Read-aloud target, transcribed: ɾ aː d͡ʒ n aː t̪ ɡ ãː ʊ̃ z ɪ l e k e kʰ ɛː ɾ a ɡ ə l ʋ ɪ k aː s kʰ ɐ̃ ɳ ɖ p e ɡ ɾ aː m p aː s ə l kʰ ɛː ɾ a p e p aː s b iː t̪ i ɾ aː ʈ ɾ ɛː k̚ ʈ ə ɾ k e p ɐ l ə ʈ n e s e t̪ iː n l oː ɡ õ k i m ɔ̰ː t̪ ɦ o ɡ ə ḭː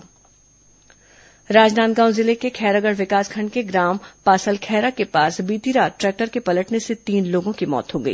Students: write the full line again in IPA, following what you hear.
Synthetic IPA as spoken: ɾ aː d͡ʒ n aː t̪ ɡ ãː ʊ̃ z ɪ l e k e kʰ ɛː ɾ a ɡ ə ɽ ʋ ɪ k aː s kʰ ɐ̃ ɳ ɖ k e ɡ ɾ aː m p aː s ə l kʰ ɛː ɾ a k e p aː s b iː t̪ i ɾ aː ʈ ɾ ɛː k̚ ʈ ə ɾ k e p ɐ l ə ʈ n e s e t̪ iː n l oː ɡ õ k i m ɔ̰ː t̪ ɦ o ɡ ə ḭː